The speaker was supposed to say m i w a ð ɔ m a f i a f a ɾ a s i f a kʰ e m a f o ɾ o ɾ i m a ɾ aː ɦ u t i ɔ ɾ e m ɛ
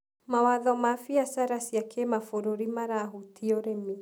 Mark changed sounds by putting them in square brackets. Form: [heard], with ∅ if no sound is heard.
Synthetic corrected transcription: m [a] w a ð ɔ m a f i a [s] a ɾ a s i [∅] a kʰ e m a f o ɾ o ɾ i m a ɾ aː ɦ u t i ɔ ɾ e m [i]